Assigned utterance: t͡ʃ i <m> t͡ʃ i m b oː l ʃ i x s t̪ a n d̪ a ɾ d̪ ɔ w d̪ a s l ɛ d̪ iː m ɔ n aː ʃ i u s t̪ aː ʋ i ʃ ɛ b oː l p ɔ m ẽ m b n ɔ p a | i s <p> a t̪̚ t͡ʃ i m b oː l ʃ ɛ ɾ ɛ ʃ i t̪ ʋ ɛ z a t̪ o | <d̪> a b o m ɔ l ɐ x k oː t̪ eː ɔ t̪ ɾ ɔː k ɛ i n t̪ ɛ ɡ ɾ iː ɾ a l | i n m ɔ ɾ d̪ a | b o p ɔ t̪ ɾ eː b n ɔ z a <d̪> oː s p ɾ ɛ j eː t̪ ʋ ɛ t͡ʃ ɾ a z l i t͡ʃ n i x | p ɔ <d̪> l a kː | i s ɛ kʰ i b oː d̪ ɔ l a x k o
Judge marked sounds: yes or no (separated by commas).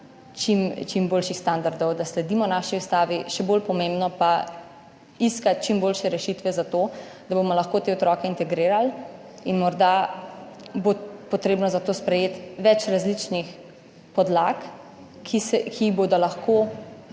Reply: yes, no, yes, no, yes